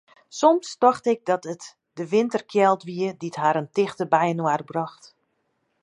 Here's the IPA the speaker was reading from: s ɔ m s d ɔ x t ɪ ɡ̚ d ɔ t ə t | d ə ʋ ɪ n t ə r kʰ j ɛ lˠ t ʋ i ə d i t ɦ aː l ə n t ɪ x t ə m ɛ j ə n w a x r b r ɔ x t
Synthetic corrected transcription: s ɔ m s t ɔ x t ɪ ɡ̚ d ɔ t ə t | d ə ʋ ɪ n t ə r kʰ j ɛ lˠ t ʋ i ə d i t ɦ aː ɾ ə n t ɪ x t ə b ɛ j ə n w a r b r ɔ x t